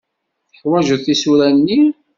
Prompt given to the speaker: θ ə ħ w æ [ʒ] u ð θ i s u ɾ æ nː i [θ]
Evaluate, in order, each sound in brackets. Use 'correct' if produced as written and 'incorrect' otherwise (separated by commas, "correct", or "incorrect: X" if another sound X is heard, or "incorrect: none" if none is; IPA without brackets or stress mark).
correct, incorrect: none